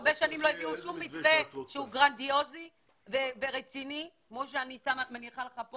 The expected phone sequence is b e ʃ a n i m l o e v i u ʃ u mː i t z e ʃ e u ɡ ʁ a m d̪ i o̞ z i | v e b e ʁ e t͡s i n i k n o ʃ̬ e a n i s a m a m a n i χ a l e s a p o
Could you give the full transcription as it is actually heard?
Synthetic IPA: b e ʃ a n i m l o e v i u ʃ u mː i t v e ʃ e u ɡ ʁ a n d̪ i o̞ z i | v e v e ʁ e t͡s i n i k m o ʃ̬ e a n i s a m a m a n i χ a l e χ a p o